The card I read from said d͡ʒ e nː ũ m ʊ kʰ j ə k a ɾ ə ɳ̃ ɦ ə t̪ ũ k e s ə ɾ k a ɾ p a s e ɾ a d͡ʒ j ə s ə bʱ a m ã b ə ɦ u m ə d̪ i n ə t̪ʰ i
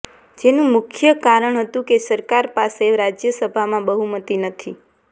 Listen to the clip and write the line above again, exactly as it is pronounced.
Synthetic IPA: d͡ʒ e n ũ m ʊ kʰ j ə k a ɾ ə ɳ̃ ɦ ə t̪ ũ k e s ə ɾ k a ɾ p a s e ɾ a d͡ʒ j ə s ə bʱ a m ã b ə ɦ u m ə t̪ i n ə t̪ʰ i